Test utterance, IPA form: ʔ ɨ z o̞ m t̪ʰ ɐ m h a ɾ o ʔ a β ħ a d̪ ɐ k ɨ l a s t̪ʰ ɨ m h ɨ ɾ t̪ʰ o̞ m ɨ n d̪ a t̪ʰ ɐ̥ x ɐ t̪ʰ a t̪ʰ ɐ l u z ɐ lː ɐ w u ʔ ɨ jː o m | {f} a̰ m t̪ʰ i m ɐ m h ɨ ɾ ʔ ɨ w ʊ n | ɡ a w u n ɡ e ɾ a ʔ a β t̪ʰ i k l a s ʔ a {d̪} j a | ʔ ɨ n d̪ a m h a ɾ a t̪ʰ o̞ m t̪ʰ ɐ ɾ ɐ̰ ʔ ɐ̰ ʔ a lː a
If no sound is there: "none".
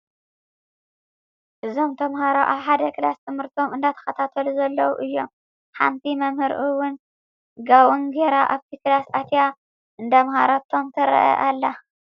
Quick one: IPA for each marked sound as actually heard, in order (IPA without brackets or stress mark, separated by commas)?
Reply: ħ, t̪